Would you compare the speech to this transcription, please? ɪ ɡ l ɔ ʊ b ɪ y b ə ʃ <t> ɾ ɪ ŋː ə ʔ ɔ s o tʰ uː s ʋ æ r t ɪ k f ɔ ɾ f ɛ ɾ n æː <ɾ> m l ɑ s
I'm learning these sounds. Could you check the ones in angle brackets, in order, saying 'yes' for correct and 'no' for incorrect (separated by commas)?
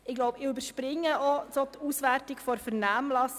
no, no